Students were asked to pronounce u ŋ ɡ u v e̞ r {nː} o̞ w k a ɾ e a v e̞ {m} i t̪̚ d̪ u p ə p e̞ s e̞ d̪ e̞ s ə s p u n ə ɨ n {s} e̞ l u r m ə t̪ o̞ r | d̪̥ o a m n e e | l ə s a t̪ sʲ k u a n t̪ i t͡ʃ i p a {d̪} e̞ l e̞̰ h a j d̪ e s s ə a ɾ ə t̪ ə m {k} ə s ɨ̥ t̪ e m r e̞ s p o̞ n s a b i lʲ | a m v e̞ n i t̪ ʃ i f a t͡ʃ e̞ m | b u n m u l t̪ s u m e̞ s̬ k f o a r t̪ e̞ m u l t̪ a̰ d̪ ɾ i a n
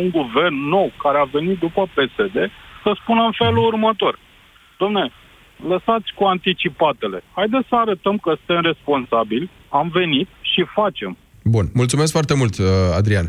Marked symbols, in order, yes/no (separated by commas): yes, no, no, no, yes